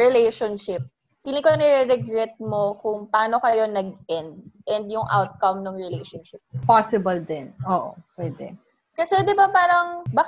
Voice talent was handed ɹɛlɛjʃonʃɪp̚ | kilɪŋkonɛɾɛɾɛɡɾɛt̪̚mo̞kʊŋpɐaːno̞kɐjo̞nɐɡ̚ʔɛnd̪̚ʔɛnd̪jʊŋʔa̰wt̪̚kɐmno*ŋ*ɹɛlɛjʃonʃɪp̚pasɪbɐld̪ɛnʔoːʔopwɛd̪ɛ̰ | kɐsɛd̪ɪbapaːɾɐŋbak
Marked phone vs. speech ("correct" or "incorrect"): correct